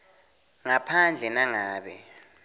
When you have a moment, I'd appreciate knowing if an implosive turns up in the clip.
yes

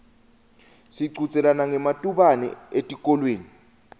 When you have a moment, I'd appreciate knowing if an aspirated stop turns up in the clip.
no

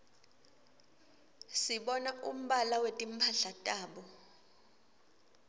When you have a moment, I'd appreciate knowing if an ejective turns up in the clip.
yes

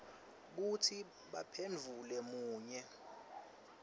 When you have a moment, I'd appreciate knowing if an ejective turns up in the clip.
no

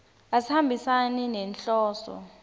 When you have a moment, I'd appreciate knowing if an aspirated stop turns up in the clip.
no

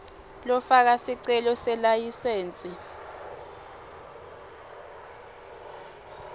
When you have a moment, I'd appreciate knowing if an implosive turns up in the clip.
no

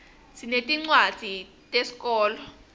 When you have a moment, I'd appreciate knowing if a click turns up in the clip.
yes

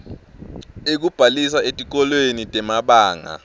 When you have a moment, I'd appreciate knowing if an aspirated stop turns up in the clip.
no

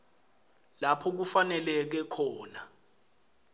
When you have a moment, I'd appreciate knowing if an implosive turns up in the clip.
no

